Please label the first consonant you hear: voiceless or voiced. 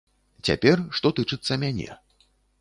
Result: voiceless